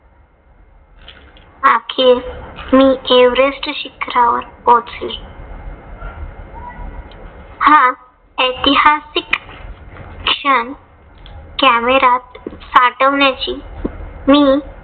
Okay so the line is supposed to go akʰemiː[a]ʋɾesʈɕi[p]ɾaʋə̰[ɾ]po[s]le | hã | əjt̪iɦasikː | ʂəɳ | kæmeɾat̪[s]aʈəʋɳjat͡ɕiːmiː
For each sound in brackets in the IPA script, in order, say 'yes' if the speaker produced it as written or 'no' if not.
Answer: no, no, yes, no, yes

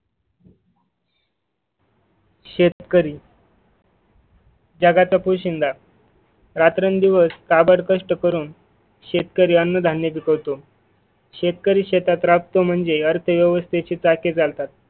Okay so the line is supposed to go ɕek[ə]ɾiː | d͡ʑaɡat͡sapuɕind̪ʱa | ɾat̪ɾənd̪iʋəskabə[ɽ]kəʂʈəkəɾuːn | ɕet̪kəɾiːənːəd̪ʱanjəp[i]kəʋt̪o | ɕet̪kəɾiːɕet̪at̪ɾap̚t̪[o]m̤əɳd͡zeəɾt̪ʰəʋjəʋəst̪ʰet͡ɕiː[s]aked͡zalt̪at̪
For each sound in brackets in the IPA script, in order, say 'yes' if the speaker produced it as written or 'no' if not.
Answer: yes, yes, yes, yes, no

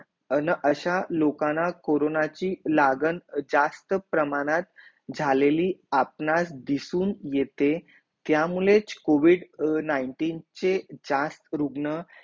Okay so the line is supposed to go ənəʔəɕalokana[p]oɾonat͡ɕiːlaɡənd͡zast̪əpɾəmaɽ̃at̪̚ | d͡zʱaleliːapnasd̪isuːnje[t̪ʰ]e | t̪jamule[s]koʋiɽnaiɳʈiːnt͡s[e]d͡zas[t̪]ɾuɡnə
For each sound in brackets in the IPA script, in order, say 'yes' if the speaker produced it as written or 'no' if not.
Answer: no, no, no, yes, yes

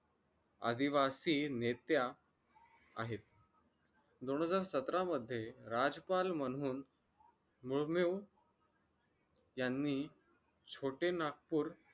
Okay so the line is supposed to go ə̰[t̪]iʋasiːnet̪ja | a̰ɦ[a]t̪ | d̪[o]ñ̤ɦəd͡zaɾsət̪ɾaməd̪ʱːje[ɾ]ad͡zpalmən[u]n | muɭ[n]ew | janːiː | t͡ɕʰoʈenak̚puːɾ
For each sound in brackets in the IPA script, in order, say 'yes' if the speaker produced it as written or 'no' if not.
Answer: no, no, yes, yes, no, no

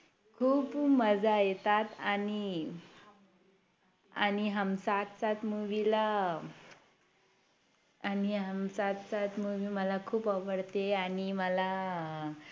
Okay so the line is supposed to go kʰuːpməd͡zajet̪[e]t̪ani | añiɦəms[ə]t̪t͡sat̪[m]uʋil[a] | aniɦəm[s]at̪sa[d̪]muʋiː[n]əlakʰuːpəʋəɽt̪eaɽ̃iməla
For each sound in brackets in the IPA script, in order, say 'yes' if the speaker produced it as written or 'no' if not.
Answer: no, no, yes, yes, yes, no, no

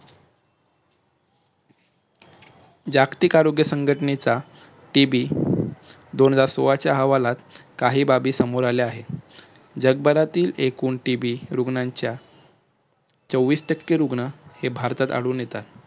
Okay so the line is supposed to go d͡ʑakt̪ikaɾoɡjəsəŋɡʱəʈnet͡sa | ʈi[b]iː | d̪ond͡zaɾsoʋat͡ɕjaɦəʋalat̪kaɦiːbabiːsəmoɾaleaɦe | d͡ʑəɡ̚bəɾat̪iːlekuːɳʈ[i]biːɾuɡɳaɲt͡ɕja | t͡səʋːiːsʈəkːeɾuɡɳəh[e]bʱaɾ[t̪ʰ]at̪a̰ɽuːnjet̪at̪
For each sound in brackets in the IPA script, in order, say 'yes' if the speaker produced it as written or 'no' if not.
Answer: yes, yes, yes, no

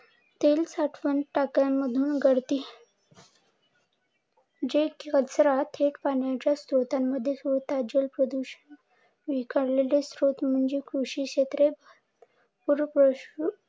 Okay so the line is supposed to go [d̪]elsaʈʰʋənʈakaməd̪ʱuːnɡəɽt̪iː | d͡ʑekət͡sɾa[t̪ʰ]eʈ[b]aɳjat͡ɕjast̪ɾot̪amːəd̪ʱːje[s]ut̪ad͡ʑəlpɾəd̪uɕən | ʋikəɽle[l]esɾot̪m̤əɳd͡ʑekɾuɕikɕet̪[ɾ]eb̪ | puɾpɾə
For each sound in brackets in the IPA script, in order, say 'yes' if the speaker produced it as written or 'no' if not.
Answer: no, yes, no, yes, yes, yes

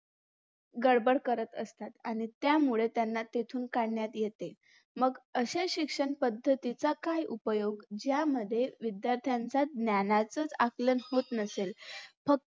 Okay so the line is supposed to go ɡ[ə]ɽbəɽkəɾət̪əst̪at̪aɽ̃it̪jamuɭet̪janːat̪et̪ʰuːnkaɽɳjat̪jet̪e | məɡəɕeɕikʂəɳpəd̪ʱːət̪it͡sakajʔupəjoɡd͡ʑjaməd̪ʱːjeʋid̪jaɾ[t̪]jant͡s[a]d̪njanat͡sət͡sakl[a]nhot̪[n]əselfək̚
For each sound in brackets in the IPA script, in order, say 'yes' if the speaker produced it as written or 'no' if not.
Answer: yes, no, yes, no, yes

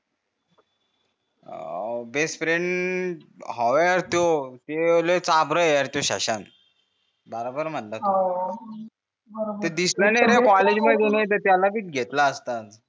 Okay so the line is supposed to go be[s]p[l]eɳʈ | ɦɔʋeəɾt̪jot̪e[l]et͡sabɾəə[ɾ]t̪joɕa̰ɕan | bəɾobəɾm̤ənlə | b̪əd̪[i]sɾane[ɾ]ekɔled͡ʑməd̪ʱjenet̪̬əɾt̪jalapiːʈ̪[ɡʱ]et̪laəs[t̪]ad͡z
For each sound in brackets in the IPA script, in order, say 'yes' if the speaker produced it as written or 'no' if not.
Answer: yes, no, yes, yes, yes, yes, yes, yes

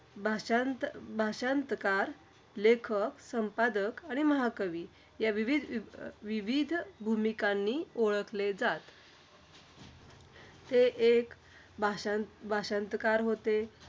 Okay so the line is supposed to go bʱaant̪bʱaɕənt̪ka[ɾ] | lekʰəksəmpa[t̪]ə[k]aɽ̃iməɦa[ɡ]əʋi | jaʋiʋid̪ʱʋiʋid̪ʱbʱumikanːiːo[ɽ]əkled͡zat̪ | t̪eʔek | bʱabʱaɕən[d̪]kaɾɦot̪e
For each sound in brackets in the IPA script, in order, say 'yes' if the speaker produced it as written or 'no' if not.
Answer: yes, no, yes, no, no, no

